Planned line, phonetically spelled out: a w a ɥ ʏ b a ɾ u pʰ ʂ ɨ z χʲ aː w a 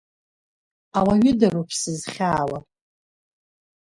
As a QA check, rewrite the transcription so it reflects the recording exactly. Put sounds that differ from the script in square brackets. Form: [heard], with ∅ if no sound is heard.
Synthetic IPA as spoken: a w a ɥ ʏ [d] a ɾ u pʰ [s] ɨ z χʲ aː w a